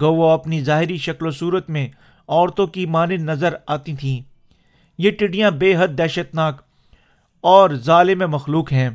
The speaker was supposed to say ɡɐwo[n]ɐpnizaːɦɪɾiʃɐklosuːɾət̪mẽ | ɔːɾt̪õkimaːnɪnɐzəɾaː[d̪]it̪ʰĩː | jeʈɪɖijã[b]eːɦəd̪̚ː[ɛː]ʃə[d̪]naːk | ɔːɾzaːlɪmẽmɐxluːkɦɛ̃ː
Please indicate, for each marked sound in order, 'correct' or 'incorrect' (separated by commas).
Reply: incorrect, incorrect, correct, correct, incorrect